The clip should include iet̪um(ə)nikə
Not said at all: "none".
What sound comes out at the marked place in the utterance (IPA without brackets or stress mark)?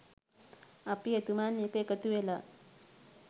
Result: a